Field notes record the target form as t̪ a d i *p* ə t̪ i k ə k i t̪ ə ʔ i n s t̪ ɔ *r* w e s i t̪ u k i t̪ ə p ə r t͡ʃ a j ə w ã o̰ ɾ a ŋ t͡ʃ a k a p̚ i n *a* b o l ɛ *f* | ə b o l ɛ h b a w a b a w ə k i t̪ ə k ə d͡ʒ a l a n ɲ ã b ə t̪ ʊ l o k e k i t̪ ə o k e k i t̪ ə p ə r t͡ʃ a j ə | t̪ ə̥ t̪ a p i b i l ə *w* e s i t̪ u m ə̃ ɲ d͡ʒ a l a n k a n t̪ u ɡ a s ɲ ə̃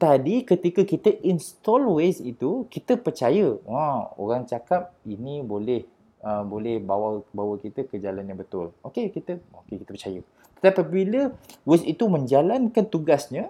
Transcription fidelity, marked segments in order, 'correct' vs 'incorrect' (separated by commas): incorrect, incorrect, incorrect, incorrect, correct